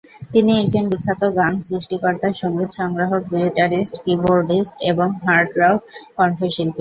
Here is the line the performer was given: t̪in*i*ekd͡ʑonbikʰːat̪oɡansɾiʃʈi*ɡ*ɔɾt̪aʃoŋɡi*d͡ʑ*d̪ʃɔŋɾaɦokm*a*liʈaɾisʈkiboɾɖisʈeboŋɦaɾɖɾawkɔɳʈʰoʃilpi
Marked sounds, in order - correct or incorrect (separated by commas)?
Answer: correct, incorrect, incorrect, incorrect